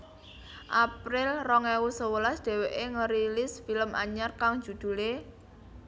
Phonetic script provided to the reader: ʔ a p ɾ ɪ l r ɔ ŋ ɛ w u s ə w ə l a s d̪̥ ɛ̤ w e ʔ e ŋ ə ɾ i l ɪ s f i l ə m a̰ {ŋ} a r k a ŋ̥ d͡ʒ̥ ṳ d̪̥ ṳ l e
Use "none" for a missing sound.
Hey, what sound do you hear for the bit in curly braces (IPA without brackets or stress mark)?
ɲ